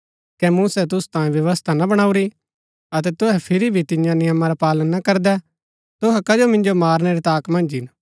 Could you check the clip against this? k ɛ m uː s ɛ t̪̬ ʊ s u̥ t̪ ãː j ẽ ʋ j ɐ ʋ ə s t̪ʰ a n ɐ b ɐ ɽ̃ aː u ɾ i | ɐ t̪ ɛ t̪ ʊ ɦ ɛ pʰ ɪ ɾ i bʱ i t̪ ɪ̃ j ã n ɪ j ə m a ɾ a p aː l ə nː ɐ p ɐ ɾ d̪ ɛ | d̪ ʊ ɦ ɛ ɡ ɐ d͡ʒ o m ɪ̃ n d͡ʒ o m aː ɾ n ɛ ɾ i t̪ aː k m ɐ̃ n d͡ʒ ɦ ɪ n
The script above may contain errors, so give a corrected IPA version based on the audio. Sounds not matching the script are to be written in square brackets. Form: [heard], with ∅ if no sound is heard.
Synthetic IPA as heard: k ɛ m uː s ɛ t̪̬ ʊ s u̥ t̪ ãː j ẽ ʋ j ɐ ʋ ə s t̪ʰ a n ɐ b ɐ ɽ̃ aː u ɾ i | ɐ t̪ ɛ t̪ ʊ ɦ ɛ pʰ ɪ ɾ i bʱ i t̪ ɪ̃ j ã n ɪ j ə m a ɾ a p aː l ə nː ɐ [k] ɐ ɾ d̪ ɛ | [t̪] ʊ ɦ ɛ [k] ɐ d͡ʒ o m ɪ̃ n d͡ʒ o m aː ɾ n ɛ ɾ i t̪ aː k m ɐ̃ n d͡ʒ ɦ ɪ n